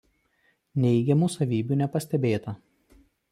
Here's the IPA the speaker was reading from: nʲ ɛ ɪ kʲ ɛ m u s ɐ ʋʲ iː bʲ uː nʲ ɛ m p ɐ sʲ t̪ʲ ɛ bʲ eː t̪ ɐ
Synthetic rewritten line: nʲ ɛ ɪ ɡʲ ɛ m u s ɐ ʋʲ iː bʲ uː nʲ ɛ p ɐ sʲ t̪ʲ ɛ bʲ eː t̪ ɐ